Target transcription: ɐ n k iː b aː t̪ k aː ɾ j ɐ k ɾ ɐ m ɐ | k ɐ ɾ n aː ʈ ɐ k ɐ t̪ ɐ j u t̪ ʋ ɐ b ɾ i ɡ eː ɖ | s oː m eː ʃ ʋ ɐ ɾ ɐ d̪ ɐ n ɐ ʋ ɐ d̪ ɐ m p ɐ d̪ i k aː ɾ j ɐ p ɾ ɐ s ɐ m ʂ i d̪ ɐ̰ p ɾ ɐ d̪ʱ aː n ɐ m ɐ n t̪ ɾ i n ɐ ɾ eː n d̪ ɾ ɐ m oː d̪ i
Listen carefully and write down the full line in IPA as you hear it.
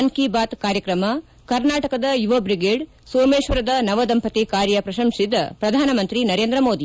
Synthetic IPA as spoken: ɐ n k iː b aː t̪ k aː ɾ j ɐ k ɾ ɐ m ɐ | k ɐ ɾ n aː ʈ ɐ k ɐ d̪ ɐ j u ʋ ɐ b ɾ i ɡ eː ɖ | s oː m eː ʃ ʋ ɐ ɾ ɐ d̪ ɐ n ɐ ʋ ɐ d̪ ɐ m p ɐ t̪ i k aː ɾ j ɐ p ɾ ɐ ʃ ɐ m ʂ i d̪ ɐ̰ p ɾ ɐ d̪ʱ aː n ɐ m ɐ n t̪ ɾ i n ɐ ɾ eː n d̪ ɾ ɐ m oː d̪ i